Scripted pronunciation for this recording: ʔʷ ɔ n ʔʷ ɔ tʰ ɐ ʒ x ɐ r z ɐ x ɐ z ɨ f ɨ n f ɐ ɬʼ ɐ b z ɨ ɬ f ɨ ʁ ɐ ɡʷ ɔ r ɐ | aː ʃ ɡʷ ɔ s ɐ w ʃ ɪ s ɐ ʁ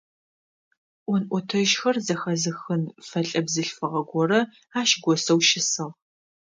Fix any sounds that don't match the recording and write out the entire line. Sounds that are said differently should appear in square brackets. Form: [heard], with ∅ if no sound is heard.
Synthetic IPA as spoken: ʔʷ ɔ n ʔʷ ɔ tʰ ɐ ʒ x ɐ r z ɐ x ɐ z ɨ [x] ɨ n f ɐ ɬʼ ɐ b z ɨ ɬ f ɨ ʁ ɐ ɡʷ ɔ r ɐ | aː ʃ ɡʷ ɔ s ɐ w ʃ ɪ s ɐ ʁ